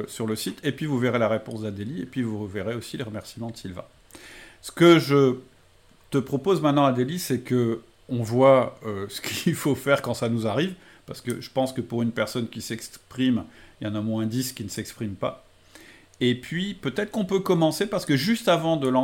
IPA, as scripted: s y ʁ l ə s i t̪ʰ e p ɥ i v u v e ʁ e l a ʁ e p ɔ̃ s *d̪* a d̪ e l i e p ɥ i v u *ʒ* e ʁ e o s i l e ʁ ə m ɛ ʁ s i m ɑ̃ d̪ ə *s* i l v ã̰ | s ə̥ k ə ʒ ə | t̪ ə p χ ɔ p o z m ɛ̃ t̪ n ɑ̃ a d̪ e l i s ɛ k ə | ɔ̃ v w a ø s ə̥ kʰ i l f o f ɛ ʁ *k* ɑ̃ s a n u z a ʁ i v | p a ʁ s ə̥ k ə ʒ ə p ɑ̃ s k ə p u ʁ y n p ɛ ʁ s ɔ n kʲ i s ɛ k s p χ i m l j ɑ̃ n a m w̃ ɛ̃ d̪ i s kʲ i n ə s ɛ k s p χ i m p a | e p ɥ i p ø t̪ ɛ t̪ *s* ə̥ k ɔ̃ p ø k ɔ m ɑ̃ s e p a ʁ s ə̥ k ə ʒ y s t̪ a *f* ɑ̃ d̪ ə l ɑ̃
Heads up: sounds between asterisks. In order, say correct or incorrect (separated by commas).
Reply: correct, incorrect, correct, correct, incorrect, incorrect